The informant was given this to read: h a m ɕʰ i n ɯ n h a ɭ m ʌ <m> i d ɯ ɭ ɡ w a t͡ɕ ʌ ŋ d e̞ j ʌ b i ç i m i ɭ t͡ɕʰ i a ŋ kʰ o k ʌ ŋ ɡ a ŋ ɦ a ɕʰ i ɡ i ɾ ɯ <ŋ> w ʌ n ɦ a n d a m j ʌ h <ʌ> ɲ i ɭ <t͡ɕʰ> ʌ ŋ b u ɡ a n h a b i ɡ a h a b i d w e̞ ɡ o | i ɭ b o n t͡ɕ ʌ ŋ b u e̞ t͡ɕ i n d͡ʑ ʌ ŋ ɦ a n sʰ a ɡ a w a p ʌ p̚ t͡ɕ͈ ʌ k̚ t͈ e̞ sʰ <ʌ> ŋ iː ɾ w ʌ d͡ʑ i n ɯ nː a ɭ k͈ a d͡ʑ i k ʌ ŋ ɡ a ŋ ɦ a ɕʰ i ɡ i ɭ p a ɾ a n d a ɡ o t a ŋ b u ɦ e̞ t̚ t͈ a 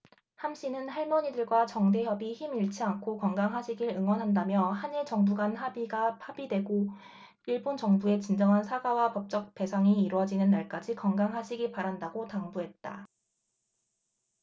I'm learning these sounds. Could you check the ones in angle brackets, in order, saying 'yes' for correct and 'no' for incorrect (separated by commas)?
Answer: no, yes, no, no, no